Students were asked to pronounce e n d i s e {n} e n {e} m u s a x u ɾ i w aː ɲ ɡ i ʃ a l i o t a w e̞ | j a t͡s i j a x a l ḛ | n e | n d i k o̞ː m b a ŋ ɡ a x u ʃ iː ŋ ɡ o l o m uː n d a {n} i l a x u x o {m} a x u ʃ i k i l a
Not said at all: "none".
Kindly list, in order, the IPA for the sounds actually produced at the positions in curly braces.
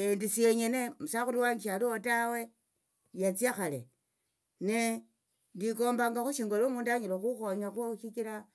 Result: ɲ, e, ɲ, ɲ

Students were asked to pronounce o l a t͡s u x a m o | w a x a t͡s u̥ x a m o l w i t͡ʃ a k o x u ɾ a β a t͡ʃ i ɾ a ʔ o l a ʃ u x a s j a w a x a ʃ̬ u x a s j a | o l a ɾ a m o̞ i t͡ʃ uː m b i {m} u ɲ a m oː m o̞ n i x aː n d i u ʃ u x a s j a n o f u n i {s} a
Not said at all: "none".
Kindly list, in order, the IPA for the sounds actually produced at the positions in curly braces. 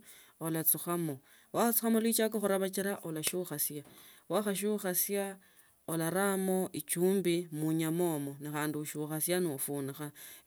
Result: m, x

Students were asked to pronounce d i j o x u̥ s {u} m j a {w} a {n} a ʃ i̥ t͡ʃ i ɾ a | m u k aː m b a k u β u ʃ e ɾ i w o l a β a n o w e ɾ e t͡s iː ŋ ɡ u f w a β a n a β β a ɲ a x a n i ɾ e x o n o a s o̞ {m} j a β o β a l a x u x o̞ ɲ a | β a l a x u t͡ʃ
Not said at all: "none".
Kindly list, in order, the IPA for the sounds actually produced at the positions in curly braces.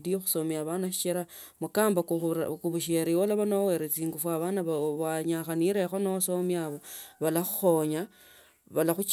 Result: o, β, n, m

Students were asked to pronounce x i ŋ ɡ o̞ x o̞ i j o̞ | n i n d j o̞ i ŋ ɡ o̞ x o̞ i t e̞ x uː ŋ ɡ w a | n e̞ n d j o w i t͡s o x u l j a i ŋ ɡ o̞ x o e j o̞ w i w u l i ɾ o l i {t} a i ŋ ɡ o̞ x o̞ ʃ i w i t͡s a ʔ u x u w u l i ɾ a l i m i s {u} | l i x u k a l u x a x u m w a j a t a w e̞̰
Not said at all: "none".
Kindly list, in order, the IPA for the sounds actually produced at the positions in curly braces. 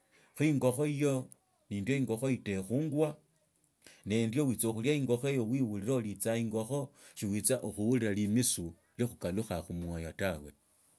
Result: t͡s, u

